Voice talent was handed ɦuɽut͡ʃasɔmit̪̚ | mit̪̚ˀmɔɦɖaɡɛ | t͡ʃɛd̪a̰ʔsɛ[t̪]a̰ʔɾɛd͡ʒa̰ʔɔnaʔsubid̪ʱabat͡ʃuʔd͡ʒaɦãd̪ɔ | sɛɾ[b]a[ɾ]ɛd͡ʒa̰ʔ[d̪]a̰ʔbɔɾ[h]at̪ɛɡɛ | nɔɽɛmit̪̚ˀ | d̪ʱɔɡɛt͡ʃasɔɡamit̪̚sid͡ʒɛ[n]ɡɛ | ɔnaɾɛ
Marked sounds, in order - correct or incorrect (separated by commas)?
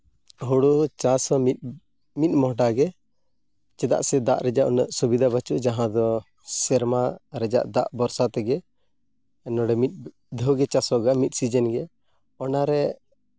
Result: incorrect, incorrect, correct, correct, incorrect, correct